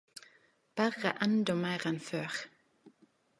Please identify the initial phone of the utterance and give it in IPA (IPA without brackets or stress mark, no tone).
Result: b̥